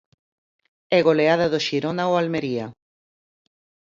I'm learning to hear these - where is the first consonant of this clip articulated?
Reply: velum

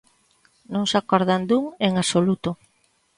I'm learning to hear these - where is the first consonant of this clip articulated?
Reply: tongue tip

